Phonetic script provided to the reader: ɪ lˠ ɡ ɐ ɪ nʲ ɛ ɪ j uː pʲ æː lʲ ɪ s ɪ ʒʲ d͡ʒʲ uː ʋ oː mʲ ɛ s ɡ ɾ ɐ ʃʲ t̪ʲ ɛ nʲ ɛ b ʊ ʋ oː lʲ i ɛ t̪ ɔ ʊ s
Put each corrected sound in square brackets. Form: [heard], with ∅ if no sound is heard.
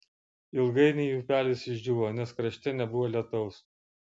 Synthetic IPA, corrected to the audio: ɪ lˠ ɡ ɐ ɪ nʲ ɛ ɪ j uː pʲ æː lʲ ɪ s ɪ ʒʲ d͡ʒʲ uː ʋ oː [nʲ] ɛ s [k] ɾ ɐ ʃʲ t̪ʲ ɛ nʲ ɛ b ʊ ʋ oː lʲ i ɛ t̪ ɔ ʊ s